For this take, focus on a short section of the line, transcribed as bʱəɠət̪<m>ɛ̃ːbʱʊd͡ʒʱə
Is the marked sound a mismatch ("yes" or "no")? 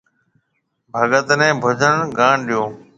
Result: yes